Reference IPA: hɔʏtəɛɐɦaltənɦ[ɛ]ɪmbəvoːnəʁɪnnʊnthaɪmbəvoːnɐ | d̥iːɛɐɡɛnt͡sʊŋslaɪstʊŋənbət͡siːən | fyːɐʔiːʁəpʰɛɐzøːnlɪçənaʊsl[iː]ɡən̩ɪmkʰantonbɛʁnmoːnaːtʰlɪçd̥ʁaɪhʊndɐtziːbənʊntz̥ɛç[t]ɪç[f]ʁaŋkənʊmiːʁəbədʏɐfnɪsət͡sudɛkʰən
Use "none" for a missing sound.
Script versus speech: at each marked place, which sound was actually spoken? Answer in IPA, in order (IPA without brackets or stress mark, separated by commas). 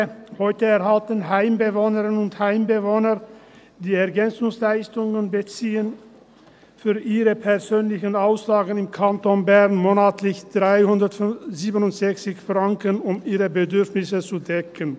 a, aː, t͡s, f